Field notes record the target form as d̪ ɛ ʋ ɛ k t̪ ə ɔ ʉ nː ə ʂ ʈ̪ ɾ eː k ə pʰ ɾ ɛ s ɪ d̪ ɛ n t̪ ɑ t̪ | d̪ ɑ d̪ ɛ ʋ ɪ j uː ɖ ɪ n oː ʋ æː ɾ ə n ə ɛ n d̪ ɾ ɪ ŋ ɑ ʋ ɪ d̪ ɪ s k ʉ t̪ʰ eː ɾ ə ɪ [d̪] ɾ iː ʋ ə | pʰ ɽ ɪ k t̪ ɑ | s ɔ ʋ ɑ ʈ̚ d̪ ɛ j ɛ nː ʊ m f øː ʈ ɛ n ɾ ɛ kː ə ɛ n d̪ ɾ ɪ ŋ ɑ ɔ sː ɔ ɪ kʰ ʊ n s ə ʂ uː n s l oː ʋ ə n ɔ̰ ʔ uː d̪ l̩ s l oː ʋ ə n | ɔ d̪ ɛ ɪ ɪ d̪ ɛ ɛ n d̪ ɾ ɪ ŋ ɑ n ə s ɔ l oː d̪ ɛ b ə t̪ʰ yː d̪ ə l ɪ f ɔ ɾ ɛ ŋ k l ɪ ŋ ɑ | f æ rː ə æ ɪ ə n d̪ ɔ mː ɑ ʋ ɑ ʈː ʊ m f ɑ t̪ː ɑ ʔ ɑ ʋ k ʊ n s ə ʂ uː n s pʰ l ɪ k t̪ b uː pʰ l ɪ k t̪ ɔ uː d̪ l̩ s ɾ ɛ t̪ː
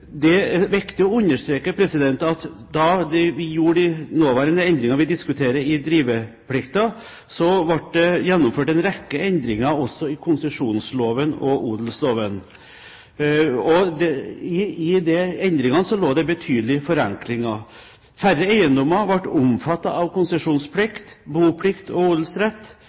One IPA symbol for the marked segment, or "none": d̪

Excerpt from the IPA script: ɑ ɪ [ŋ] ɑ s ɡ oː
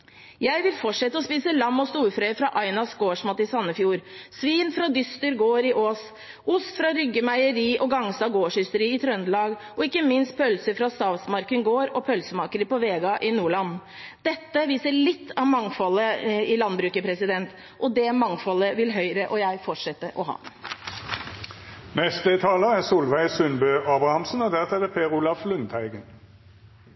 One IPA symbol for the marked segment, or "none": n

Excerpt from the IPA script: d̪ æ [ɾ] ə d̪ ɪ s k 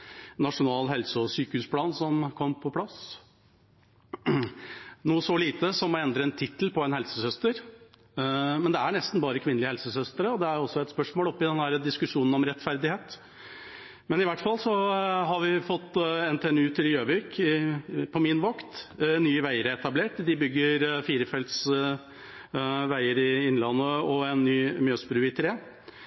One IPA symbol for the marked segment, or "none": ɾ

